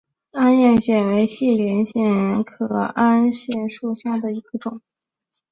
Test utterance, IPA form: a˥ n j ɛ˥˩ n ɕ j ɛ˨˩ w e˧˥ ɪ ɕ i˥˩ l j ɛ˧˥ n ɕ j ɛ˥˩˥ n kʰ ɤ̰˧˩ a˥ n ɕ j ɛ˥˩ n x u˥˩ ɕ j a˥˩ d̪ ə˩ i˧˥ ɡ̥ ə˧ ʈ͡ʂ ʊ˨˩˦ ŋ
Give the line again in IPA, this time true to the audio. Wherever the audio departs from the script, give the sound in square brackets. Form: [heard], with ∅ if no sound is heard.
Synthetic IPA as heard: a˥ n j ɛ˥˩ n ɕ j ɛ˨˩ w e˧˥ ɪ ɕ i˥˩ l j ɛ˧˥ n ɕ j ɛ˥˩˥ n kʰ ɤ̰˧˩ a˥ n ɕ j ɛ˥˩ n [ʂ] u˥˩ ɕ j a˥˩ d̪ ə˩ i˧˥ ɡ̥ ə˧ ʈ͡ʂ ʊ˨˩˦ ŋ